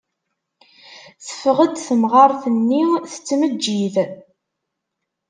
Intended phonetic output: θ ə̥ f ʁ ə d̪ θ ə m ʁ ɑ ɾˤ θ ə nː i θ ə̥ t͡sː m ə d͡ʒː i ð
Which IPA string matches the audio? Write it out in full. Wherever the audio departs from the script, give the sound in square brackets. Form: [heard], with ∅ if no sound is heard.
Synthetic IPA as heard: θ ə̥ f ʁ ə d̪ θ ə m ʁ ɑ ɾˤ θ ə nː i θ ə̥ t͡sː m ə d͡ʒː i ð